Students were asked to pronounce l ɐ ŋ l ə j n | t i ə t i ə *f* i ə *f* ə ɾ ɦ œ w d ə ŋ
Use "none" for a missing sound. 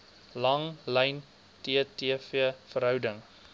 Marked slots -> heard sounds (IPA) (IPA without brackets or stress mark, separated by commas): f, f